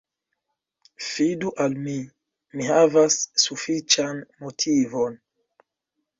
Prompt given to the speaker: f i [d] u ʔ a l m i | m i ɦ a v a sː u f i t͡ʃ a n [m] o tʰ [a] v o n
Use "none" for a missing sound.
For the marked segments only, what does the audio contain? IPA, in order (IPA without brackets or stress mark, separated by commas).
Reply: d, m, i